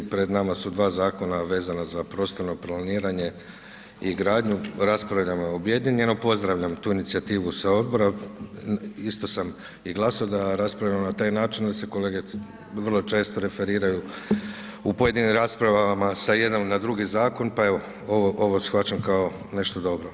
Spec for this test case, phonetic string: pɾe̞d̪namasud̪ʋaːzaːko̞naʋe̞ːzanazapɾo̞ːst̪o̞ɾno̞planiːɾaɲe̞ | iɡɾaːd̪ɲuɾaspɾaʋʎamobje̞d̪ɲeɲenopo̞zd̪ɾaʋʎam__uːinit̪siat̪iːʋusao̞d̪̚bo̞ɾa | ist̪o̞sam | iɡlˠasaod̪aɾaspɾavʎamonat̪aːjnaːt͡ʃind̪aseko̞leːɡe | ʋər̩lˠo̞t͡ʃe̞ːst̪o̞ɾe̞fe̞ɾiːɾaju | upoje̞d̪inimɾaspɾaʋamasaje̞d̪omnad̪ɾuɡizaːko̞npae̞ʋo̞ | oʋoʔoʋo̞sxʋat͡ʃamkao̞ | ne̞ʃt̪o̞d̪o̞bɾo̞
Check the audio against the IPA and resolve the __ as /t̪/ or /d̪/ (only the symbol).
t̪